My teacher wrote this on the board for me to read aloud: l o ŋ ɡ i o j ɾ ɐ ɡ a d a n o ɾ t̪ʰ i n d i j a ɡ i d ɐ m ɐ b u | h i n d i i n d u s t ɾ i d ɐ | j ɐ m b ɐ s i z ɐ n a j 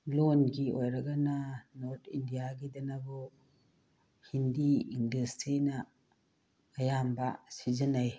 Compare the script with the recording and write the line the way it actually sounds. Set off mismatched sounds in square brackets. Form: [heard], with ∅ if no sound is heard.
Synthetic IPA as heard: l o [n] ɡ i o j ɾ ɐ ɡ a [n] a n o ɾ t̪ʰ i n d i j a ɡ i d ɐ [n] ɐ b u | h i n d i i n d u s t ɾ i [n] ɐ | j [a] m b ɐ s i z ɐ n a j